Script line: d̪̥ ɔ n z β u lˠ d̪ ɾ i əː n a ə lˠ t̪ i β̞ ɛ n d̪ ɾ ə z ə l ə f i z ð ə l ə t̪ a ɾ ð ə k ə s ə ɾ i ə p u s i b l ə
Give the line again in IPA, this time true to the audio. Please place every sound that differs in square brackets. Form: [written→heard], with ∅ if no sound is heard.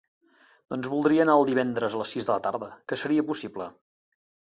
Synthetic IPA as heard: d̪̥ ɔ n z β u lˠ d̪ ɾ i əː n a ə lˠ [t̪→d̪] i β̞ ɛ n d̪ ɾ ə z ə l ə [f→s] i z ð ə l ə t̪ a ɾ ð ə k ə s ə ɾ i ə p u s i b l ə